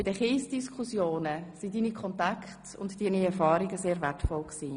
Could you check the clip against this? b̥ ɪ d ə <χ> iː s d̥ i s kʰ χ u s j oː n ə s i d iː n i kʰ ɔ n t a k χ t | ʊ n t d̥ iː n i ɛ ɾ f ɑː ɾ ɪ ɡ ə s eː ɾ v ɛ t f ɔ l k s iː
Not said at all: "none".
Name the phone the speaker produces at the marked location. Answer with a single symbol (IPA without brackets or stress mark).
χ